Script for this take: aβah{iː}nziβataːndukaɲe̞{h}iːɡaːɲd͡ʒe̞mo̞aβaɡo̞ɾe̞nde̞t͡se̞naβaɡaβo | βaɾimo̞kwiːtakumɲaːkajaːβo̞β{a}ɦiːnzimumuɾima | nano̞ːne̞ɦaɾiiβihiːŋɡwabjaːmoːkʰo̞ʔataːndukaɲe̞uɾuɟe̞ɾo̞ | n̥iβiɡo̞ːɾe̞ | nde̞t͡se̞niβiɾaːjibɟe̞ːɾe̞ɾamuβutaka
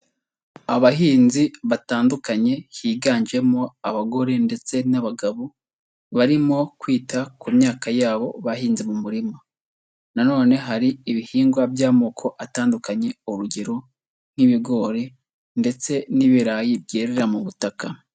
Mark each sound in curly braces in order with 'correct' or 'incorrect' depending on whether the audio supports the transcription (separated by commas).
correct, correct, correct